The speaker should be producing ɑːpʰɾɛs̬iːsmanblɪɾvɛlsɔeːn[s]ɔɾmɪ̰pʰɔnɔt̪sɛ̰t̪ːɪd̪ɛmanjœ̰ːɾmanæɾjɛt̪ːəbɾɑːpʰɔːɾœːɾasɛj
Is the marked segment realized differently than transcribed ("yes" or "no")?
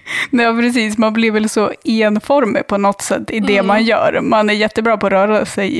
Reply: yes